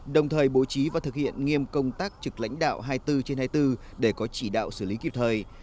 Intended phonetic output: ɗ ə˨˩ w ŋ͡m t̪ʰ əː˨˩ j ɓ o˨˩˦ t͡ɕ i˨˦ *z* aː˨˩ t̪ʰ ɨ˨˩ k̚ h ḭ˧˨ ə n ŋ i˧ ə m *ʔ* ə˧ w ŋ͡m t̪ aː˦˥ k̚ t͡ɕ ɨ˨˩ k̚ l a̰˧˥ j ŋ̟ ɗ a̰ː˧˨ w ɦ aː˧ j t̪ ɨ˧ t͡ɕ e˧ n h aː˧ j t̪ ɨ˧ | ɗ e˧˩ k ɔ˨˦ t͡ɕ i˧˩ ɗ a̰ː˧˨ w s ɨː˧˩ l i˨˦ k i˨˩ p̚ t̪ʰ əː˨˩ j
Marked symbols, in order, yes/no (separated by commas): no, no